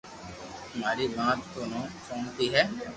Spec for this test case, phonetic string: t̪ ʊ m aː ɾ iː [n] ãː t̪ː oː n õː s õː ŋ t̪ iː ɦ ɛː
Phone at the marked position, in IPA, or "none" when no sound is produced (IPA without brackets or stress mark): m